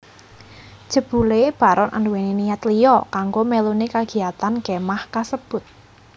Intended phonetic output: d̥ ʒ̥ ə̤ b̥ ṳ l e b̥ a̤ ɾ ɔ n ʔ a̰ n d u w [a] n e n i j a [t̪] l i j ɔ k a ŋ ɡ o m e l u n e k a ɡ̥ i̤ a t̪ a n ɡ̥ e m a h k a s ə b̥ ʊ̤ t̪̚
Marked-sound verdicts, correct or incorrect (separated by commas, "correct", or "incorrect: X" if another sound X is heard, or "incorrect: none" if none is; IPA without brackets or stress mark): incorrect: e, correct